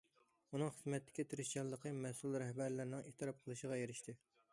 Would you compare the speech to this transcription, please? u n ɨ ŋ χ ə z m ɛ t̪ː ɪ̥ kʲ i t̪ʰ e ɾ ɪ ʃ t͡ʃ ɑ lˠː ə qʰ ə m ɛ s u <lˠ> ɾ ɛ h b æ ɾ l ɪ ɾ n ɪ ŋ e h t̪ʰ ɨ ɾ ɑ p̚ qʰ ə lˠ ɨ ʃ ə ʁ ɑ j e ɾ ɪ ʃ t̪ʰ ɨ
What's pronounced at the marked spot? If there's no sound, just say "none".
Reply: lˠ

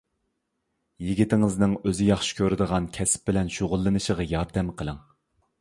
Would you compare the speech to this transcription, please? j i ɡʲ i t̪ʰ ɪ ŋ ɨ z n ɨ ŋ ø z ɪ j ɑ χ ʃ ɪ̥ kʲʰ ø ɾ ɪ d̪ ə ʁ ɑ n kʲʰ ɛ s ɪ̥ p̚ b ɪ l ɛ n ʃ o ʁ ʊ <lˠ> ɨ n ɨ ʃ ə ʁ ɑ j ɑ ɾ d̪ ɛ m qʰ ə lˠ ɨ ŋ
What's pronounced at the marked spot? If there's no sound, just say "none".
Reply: lˠː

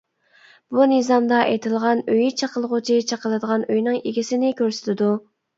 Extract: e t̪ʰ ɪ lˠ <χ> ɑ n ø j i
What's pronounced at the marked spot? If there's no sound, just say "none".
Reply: ʁ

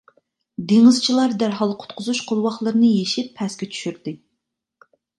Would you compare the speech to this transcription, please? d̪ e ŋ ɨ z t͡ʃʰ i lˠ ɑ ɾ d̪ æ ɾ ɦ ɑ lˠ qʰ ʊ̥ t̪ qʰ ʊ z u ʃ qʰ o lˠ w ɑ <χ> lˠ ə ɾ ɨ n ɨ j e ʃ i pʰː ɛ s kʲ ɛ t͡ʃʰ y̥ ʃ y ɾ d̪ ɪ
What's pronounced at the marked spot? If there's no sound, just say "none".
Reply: χ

